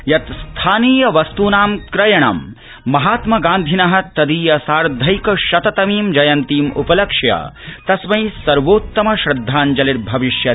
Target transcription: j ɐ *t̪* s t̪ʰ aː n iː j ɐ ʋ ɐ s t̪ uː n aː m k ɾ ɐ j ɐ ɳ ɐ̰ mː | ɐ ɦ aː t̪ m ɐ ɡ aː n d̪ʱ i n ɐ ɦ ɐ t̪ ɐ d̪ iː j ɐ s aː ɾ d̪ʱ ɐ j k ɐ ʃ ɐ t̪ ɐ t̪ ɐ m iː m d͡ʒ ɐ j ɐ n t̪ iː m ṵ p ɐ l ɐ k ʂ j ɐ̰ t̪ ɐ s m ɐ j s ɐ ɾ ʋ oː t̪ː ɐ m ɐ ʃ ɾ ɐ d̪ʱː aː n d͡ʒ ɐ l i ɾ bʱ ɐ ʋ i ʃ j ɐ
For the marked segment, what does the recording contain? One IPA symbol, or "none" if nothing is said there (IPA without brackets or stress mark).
t̪